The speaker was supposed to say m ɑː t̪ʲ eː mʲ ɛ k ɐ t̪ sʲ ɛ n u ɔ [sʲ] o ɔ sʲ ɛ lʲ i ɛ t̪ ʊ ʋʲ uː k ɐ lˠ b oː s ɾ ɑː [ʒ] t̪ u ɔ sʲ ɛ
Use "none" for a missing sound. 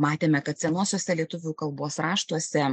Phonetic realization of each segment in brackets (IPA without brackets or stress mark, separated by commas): sʲ, ʃ